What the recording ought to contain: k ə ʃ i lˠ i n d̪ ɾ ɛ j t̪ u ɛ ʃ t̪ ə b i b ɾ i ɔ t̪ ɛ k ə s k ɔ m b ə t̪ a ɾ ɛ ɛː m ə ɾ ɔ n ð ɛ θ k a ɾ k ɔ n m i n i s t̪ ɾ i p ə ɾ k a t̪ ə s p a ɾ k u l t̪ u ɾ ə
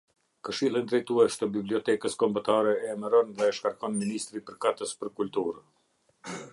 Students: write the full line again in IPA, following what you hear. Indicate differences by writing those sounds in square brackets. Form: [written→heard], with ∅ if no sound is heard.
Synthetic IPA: k ə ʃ i lˠ i n d̪ ɾ ɛ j t̪ u ɛ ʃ t̪ ə b i b [ɾ→l] i ɔ t̪ ɛ k ə s k ɔ m b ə t̪ a ɾ ɛ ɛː m ə ɾ ɔ n ð ɛ [θ→ʃ] k a ɾ k ɔ n m i n i s t̪ ɾ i p ə ɾ k a t̪ ə s p [a→ə] ɾ k u l t̪ u ɾ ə